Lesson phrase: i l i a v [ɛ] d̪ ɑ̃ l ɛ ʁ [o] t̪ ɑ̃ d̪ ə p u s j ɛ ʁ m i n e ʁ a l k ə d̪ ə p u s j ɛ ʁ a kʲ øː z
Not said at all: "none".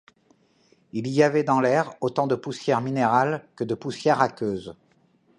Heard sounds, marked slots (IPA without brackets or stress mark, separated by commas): ɛ, o